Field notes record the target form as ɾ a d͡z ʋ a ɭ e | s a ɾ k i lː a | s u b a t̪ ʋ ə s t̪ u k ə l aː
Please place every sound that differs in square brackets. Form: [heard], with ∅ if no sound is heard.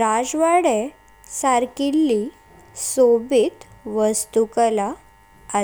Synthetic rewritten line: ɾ a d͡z ʋ a [ɽ] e | s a ɾ k i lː [i] | s [o] b [i] t̪ ʋ ə s t̪ u k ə l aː